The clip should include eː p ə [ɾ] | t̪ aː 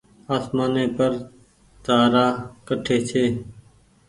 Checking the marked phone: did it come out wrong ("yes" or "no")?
no